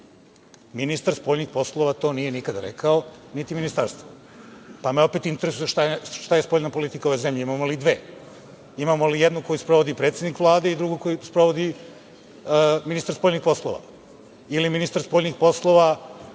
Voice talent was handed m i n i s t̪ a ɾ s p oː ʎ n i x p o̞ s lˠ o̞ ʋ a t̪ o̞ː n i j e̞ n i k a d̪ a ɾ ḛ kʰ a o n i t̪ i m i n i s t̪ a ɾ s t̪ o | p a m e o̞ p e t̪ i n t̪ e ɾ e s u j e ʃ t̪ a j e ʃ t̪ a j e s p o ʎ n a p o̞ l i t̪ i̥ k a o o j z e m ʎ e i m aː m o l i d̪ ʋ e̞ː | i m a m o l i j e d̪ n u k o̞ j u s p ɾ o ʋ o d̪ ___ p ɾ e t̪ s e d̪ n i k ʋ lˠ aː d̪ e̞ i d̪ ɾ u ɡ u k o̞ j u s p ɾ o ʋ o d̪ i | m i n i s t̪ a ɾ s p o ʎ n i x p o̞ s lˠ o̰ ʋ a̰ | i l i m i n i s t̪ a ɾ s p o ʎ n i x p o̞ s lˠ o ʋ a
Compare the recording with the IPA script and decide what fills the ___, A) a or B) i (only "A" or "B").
B